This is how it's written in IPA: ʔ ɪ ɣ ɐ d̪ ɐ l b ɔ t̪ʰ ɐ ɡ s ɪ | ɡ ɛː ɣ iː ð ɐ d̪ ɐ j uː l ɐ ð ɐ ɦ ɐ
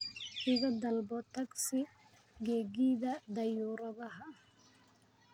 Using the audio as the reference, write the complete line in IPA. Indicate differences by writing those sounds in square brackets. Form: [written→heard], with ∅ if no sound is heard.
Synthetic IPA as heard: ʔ ɪ ɣ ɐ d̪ ɐ l b ɔ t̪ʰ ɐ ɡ s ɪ | ɡ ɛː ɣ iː ð ɐ d̪ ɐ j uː [l→ɾ] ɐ ð ɐ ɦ ɐ

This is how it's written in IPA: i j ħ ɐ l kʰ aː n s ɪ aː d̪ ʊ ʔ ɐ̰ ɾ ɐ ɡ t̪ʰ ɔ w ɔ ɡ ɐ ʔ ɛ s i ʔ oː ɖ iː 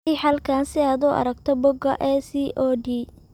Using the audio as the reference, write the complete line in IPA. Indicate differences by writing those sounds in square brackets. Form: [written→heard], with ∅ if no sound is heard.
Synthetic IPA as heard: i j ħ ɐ l kʰ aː n s ɪ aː d̪ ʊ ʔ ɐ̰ ɾ ɐ ɡ t̪ʰ ɔ [w→b] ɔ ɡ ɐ ʔ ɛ s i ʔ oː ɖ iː

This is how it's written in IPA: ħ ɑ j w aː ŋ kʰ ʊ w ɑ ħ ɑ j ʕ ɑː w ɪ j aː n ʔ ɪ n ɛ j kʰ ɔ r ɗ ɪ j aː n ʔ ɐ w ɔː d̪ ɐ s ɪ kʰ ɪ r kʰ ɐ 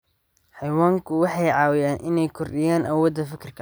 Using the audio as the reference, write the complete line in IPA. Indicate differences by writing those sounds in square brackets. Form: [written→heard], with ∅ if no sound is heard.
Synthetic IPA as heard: ħ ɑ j w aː ŋ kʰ ʊ w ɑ ħ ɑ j ʕ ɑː w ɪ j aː n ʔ ɪ n ɛ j kʰ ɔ r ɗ ɪ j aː n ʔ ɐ w ɔː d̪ ɐ [s→f] ɪ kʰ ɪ r kʰ ɐ

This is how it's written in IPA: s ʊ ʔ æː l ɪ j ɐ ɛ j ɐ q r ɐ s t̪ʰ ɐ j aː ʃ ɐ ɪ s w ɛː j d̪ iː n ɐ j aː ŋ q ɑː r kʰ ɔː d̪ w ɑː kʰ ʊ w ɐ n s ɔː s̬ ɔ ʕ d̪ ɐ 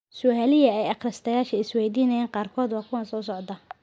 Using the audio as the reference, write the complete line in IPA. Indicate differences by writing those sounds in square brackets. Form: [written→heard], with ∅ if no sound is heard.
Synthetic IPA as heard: s ʊ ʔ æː l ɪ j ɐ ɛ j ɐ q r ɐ s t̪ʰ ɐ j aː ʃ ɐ ɪ s w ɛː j d̪ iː n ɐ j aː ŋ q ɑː r kʰ ɔː d̪ w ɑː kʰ ʊ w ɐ n s ɔː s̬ ɔ ʕ d̪ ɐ

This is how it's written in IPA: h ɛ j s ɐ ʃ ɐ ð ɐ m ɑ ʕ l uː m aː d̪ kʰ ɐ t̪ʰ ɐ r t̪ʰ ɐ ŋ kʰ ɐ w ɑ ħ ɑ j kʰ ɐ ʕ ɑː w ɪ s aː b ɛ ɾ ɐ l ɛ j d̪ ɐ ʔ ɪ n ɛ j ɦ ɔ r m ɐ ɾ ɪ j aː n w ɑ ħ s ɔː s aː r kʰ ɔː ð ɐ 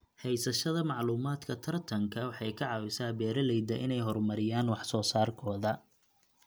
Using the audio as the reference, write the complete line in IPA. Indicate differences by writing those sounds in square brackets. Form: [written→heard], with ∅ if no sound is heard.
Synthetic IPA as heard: h ɛ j s ɐ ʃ ɐ ð ɐ m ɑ ʕ l uː m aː d̪ kʰ ɐ t̪ʰ ɐ r t̪ʰ ɐ ŋ kʰ ɐ w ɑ ħ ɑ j kʰ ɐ ʕ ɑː w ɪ s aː b [ɛ→ɛː] ɾ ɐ l ɛ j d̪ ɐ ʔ ɪ n ɛ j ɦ ɔ r m ɐ ɾ ɪ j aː n w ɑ ħ s ɔː s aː r kʰ ɔː ð ɐ

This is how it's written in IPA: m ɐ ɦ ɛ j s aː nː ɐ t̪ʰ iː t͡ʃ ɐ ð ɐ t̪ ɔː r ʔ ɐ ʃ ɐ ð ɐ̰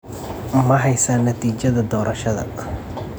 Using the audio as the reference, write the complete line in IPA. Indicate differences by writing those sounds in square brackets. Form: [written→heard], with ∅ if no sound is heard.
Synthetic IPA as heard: m ɐ ɦ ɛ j s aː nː ɐ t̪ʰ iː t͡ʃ ɐ ð ɐ [t̪→d̪] ɔː [r→ɾ] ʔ ɐ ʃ ɐ ð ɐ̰

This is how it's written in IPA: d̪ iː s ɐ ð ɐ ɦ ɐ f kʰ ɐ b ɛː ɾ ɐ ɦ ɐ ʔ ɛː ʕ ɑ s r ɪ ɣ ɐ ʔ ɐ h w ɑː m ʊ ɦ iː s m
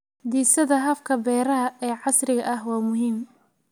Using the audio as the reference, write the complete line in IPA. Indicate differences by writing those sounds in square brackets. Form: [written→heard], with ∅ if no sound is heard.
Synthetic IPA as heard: d̪ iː s ɐ ð ɐ ɦ ɐ f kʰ ɐ b ɛː ɾ ɐ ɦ ɐ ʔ ɛː ʕ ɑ s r ɪ ɣ ɐ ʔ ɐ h w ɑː m ʊ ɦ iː [s→∅] m

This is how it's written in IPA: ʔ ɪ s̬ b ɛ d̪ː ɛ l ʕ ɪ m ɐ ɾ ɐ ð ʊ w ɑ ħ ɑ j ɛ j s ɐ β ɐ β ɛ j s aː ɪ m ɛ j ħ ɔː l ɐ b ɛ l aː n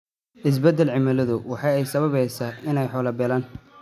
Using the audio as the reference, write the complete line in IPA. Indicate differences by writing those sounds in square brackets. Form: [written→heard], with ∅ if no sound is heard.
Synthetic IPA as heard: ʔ ɪ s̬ b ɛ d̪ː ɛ l ʕ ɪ m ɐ [ɾ→l] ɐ ð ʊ w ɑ ħ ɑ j ɛ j s ɐ β ɐ β ɛ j s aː ɪ [m→n] ɛ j ħ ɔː l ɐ b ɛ l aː n

